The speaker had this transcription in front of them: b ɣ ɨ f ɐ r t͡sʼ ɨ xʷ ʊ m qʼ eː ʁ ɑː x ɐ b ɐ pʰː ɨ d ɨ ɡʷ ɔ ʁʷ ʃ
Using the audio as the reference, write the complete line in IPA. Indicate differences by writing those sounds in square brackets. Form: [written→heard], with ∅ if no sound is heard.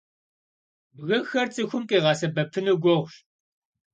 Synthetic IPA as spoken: b ɣ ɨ [f→x] ɐ r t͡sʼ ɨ xʷ ʊ m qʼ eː ʁ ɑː [x→s] ɐ b ɐ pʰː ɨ [d→n] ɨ ɡʷ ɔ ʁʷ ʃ